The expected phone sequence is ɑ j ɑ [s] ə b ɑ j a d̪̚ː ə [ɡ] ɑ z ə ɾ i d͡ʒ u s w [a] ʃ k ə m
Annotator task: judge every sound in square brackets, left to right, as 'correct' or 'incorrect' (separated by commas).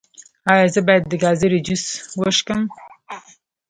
incorrect, correct, incorrect